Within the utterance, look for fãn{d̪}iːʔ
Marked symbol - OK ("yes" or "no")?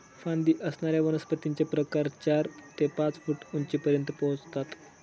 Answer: yes